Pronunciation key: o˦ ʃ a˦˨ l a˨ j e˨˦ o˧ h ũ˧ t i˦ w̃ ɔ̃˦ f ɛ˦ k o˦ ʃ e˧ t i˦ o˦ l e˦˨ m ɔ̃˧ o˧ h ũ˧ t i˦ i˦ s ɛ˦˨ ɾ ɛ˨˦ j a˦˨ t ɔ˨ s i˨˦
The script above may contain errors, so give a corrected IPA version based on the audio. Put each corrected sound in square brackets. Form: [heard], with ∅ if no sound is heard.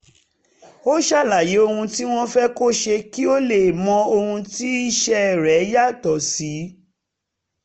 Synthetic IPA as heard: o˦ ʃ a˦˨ l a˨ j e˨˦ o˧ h ũ˧ t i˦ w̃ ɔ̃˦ f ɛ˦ k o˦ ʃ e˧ [k] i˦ o˦ l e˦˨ m ɔ̃˧ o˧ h ũ˧ t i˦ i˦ [ʃ] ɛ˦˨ ɾ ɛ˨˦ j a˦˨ t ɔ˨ s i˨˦